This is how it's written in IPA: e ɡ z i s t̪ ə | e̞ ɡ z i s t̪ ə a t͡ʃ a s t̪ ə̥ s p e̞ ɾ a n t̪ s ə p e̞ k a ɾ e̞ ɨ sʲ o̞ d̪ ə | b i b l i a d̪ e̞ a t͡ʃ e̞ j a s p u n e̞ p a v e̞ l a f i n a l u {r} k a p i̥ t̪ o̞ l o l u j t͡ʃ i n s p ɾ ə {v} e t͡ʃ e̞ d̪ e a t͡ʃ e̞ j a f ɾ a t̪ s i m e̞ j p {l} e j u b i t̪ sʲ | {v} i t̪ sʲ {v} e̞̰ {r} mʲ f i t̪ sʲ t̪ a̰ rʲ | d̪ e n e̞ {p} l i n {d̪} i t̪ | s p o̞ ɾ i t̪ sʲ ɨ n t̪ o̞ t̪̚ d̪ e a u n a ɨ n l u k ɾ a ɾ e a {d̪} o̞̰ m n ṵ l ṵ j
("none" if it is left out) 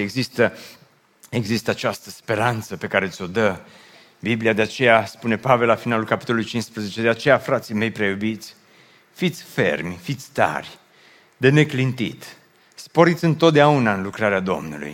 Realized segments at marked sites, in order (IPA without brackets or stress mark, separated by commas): l, z, ɾ, f, f, r, k, t̪, d̪